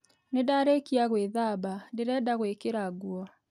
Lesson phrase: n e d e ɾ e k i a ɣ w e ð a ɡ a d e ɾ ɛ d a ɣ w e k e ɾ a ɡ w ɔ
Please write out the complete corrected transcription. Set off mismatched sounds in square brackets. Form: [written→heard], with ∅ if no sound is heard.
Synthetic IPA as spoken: n e d [e→a] ɾ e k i a ɣ w e ð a [ɡ→b] a d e ɾ ɛ d a ɣ w e k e ɾ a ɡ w ɔ